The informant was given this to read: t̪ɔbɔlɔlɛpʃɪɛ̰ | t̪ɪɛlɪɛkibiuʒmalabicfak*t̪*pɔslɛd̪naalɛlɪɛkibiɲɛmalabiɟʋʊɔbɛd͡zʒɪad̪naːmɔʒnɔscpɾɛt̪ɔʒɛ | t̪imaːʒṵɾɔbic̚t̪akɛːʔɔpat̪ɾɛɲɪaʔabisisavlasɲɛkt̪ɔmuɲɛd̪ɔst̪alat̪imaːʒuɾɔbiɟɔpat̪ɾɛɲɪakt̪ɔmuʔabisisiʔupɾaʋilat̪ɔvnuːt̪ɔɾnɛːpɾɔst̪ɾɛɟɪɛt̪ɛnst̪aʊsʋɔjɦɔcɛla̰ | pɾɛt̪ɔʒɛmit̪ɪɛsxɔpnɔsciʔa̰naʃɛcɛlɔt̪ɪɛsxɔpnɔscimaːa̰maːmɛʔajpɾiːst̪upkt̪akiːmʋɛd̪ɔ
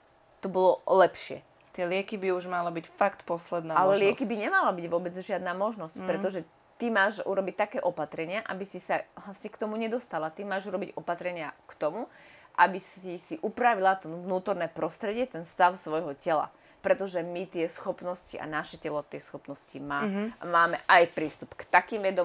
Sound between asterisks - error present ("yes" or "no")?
no